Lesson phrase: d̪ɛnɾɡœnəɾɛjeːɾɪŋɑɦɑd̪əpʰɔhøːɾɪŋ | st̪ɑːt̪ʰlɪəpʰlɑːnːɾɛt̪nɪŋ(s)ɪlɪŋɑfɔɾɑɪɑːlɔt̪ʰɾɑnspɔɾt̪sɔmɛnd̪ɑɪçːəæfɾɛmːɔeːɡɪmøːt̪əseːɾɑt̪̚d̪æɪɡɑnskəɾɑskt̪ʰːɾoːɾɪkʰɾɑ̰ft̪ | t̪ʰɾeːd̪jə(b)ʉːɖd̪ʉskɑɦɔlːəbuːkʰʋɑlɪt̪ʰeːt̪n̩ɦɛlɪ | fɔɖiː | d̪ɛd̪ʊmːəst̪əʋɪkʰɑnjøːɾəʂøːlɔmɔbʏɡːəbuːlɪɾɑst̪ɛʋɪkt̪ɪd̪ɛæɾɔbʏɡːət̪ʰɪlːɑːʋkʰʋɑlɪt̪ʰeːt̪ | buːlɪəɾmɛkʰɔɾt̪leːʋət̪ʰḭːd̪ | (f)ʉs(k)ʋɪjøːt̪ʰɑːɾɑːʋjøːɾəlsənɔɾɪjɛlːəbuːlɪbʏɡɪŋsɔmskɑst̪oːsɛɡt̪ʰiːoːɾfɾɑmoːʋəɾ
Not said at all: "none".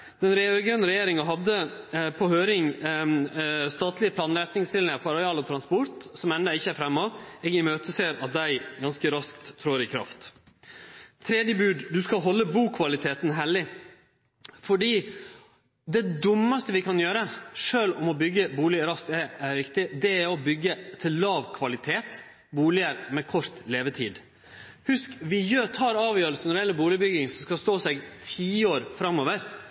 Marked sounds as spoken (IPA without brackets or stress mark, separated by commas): s, b, h, k